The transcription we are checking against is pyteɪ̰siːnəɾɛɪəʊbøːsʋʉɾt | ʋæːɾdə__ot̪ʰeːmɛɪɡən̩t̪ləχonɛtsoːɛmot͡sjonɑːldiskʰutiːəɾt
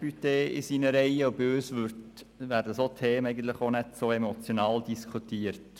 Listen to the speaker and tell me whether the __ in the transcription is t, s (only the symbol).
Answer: s